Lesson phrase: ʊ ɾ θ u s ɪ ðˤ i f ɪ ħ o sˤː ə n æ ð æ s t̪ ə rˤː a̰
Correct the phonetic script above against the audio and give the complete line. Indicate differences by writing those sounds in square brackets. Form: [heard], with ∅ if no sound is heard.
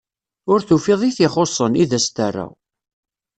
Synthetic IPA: ʊ ɾ θ u [f] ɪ ðˤ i [θ] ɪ [χ] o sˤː ə n [i] ð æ s t̪ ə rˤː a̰